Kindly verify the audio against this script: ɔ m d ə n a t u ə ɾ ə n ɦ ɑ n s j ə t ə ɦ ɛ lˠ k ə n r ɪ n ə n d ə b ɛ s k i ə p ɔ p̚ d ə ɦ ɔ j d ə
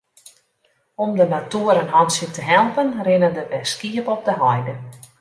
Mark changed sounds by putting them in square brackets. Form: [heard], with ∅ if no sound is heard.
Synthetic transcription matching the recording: ɔ m d ə n a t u ə ɾ ə n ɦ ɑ n s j ə t ə ɦ ɛ lˠ [p] ə n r ɪ n ə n d ə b ɛ s k i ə p ɔ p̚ d ə ɦ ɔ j d ə